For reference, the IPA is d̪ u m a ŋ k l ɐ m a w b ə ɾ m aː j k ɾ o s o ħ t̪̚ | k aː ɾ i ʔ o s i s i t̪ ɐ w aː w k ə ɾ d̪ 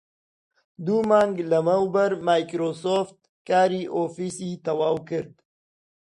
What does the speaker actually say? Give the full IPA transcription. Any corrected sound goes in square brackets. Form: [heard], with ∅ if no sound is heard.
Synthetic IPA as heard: d̪ u m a ŋ [ɡ] l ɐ m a w b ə ɾ m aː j k ɾ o s o [f] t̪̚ | k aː ɾ i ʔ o [f] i s i t̪ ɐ w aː w k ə ɾ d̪